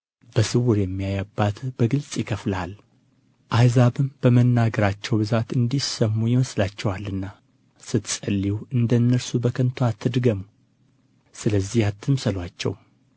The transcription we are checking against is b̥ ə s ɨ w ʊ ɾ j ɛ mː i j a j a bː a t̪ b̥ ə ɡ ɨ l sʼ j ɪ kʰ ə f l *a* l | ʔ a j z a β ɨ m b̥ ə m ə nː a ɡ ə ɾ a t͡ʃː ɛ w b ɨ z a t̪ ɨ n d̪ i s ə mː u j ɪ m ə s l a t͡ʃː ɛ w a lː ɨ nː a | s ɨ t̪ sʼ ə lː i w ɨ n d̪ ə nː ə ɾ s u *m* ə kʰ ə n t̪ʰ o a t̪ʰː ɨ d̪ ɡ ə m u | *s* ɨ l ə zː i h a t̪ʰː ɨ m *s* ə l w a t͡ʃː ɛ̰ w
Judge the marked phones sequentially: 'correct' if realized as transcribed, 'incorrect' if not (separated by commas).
correct, incorrect, correct, correct